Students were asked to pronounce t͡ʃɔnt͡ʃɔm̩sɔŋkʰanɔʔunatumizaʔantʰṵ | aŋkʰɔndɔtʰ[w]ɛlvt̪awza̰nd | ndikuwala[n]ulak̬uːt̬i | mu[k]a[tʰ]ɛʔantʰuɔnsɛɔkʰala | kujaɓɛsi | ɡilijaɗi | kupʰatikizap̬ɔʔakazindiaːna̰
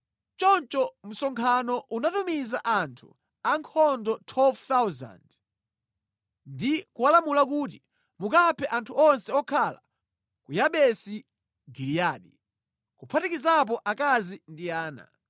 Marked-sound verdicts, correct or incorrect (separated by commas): correct, incorrect, correct, incorrect